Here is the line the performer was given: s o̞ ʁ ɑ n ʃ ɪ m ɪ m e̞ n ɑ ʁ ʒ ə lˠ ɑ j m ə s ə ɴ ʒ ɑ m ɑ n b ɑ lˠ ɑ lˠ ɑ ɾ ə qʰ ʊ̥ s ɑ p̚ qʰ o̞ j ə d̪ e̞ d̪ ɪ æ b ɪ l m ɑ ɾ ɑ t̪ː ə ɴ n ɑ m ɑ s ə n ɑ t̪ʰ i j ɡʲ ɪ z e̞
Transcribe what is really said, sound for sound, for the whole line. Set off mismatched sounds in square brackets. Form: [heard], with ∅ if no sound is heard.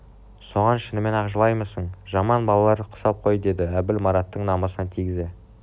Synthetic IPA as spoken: s o̞ ʁ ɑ n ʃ ɪ [n] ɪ m e̞ n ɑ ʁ ʒ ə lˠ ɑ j m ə s ə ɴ ʒ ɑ m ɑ n b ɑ lˠ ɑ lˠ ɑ ɾ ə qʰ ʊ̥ s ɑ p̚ qʰ o̞ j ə d̪ e̞ d̪ ɪ æ b ɪ l m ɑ ɾ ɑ t̪ː ə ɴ n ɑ m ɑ s ə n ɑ t̪ʰ i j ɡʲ ɪ z e̞